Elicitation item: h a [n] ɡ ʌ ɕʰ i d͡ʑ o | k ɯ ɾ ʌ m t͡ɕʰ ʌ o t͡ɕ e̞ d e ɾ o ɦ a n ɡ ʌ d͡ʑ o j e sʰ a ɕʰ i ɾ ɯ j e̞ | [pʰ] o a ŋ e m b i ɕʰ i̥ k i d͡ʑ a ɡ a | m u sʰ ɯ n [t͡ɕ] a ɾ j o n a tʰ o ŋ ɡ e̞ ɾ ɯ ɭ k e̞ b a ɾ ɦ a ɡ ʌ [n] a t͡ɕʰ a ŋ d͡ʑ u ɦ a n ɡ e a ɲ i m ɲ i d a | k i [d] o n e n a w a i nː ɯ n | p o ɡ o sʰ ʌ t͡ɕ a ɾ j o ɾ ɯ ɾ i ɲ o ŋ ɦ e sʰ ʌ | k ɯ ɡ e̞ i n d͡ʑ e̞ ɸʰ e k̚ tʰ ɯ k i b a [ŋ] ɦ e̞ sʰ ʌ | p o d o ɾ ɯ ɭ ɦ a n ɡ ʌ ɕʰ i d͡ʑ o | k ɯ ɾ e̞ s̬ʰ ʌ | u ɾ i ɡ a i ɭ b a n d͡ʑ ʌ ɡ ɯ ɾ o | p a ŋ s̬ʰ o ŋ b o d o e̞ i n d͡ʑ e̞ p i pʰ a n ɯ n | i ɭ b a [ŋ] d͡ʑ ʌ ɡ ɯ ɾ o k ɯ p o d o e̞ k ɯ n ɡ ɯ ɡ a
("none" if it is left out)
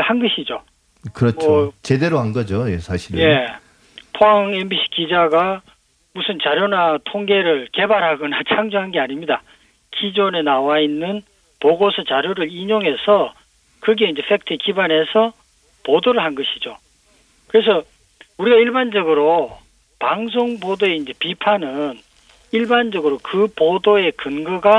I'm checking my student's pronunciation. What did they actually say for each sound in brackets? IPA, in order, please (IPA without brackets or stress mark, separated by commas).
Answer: n, pʰ, t͡ɕ, n, d͡ʑ, n, n